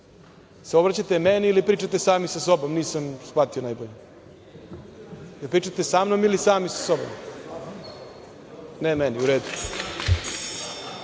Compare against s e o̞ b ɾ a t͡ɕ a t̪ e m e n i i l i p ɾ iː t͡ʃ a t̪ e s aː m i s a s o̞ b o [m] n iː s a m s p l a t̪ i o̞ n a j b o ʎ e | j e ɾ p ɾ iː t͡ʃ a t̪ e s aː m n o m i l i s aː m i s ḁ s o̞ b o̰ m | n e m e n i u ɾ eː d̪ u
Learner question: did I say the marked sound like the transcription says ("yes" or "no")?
yes